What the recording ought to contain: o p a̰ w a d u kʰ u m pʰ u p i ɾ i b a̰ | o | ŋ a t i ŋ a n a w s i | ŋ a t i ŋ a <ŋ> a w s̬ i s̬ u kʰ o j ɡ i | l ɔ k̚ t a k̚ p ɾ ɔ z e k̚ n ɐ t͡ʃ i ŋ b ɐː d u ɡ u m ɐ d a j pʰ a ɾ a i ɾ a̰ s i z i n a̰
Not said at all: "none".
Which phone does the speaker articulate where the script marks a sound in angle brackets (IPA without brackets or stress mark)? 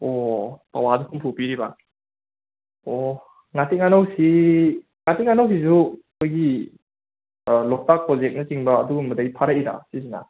n